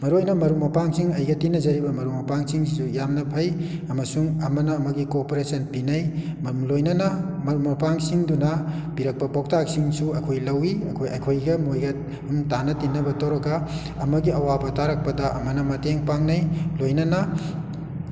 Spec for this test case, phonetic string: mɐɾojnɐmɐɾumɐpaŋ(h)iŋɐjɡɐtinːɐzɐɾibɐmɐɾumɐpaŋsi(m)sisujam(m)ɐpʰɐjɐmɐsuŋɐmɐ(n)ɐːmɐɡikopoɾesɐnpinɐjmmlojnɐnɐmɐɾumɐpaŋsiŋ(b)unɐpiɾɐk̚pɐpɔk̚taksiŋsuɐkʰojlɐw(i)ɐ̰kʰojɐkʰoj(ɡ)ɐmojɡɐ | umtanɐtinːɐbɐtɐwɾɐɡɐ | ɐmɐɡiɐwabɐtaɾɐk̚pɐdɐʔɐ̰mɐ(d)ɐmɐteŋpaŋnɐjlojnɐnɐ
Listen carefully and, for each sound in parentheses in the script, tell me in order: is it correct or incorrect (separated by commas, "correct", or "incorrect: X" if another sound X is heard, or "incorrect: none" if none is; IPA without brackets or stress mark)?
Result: incorrect: s, incorrect: ŋ, incorrect: n, correct, incorrect: d, correct, correct, incorrect: n